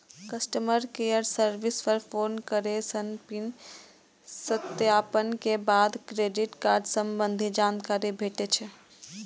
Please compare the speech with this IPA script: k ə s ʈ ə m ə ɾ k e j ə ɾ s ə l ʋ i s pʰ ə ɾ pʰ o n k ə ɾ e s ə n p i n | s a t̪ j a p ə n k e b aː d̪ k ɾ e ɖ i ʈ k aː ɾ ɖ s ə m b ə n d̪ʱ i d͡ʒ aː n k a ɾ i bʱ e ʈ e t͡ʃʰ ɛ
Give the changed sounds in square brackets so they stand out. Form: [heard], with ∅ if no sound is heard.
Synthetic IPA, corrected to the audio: k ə s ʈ ə m ə ɾ k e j ə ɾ s ə [ɾ] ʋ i s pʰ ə ɾ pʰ o n k ə ɾ e s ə n p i n | s [ə] t̪ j a p ə n k e b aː d̪ k ɾ e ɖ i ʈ k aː ɾ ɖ s ə m b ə n d̪ʱ i d͡ʒ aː n k a ɾ i bʱ e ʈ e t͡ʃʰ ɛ